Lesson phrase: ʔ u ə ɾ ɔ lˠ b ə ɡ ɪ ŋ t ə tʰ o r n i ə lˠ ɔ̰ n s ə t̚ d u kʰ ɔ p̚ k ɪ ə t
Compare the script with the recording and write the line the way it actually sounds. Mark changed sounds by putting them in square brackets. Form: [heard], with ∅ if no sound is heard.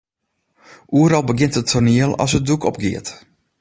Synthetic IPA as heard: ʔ u ə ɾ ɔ lˠ b ə ɡ ɪ [n] t ə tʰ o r n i ə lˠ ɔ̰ [∅] s ə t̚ d u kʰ ɔ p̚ [ɡ] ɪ ə t